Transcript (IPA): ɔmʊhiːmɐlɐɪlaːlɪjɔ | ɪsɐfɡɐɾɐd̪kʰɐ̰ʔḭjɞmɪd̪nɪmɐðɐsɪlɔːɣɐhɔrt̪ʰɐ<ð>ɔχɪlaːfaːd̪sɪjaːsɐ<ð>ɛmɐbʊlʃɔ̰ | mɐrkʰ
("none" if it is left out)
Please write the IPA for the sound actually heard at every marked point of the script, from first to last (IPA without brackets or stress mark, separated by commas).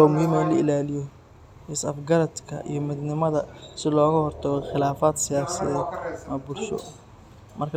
ɣ, ð